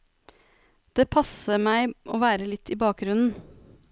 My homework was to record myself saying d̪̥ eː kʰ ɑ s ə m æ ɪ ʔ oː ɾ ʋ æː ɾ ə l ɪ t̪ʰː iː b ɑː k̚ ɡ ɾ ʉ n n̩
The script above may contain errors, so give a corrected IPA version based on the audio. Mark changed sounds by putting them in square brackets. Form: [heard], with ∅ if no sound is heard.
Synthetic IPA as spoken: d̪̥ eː [pʰ] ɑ s ə m æ ɪ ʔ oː [∅] ʋ æː ɾ ə l ɪ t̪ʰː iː b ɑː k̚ ɡ ɾ ʉ n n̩